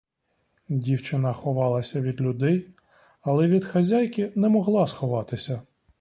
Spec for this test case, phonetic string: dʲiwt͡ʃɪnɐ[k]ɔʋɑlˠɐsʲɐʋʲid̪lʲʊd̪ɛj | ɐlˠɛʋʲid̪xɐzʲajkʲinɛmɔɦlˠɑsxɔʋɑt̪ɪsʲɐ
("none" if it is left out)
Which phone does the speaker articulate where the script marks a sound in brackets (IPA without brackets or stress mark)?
x